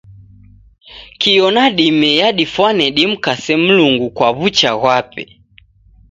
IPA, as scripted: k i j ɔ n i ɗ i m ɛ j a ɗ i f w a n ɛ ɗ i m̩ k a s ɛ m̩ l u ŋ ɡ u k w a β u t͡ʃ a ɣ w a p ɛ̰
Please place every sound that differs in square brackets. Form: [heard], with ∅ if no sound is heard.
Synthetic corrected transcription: k i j ɔ n [a] ɗ i m ɛ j a ɗ i f w a n ɛ ɗ i m̩ k a s ɛ m̩ l u ŋ ɡ u k w a β u t͡ʃ a ɣ w a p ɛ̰